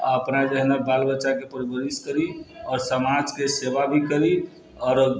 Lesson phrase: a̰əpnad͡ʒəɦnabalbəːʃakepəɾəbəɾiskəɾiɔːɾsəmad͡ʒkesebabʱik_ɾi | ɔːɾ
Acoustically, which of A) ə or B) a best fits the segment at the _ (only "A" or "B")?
A